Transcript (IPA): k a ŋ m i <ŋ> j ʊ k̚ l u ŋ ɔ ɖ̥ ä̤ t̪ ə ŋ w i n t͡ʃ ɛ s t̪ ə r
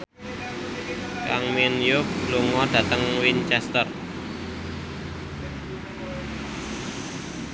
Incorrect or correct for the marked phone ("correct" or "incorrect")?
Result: incorrect